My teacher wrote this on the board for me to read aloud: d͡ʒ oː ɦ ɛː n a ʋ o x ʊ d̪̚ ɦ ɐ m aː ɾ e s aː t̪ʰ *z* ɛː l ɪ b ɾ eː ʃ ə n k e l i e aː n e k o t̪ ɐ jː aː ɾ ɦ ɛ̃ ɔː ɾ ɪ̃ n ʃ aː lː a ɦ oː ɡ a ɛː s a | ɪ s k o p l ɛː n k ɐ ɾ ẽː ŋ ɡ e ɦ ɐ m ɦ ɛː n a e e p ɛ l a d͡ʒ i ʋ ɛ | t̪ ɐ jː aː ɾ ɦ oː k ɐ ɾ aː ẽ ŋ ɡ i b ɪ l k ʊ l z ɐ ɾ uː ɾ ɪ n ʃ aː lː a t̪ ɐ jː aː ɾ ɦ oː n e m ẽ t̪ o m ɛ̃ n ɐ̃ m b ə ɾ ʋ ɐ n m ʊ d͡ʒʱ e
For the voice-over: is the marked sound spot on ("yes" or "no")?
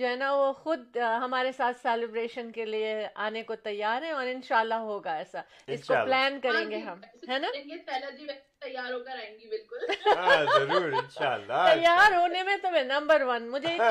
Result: no